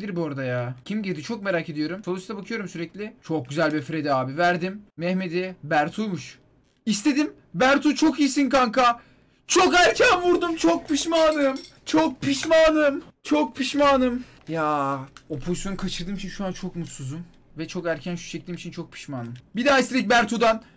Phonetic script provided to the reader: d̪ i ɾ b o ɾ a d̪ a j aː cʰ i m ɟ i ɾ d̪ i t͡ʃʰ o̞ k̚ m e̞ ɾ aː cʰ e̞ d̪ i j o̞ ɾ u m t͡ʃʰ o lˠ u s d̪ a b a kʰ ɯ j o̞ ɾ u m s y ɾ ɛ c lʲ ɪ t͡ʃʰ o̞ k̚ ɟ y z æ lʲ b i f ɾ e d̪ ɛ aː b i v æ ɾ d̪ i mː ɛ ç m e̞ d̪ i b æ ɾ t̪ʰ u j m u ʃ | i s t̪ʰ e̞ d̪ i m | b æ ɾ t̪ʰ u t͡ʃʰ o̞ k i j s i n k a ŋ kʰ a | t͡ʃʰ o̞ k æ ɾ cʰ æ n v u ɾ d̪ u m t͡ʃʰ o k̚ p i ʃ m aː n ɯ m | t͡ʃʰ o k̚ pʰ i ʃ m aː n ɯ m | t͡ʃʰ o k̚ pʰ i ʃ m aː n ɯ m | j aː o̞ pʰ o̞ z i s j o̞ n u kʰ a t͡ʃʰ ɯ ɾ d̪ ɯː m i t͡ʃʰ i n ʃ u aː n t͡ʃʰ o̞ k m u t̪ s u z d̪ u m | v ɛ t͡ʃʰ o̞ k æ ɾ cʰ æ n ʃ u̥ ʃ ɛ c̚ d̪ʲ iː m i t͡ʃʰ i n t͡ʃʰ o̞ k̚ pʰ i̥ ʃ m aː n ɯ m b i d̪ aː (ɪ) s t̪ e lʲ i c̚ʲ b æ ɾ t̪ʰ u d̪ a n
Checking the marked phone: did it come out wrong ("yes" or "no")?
yes